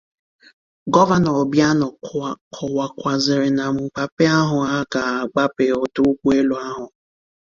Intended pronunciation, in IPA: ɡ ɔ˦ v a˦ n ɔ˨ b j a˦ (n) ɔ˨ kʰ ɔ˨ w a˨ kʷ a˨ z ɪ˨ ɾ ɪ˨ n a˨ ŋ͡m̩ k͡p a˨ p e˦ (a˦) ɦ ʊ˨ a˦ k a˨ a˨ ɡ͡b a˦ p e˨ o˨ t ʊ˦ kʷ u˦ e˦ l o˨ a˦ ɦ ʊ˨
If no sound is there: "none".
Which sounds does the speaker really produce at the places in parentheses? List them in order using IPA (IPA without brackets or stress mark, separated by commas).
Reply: n, a˦